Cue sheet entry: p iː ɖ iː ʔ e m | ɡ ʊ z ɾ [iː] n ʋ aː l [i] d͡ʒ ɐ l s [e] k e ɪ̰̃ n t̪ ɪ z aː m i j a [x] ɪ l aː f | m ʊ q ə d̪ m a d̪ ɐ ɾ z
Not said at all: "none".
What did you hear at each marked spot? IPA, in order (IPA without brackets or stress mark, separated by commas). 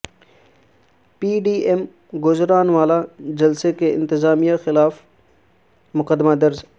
aː, a, e, x